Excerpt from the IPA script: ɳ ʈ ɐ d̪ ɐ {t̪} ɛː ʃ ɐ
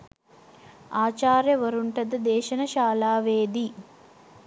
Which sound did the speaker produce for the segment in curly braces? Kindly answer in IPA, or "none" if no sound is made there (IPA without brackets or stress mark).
d̪